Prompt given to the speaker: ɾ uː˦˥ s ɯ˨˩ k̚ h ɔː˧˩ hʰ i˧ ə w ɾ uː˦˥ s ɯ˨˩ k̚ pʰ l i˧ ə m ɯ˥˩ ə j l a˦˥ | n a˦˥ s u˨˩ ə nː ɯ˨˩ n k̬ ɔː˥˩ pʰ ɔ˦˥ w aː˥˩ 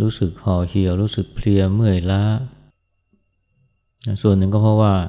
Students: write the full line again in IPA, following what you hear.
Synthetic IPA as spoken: ɾ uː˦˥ s ɯ˨˩ k̚ h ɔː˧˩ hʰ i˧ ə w ɾ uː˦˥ s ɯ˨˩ k̚ pʰ l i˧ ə m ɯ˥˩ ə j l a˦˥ | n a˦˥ s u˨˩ ə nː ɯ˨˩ ŋ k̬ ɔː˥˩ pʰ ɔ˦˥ w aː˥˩